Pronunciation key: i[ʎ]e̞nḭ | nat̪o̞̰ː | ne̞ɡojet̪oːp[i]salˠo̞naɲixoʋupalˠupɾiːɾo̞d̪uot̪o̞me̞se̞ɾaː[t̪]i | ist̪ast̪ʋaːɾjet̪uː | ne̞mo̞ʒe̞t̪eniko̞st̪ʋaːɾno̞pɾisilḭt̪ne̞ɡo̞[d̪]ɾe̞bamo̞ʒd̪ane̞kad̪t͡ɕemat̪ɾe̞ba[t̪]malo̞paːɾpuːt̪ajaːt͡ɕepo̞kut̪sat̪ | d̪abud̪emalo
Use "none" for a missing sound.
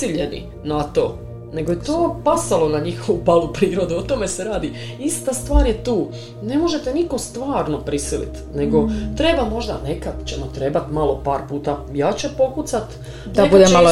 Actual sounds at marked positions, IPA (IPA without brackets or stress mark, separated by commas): ʎ, a, d̪, t̪, t̪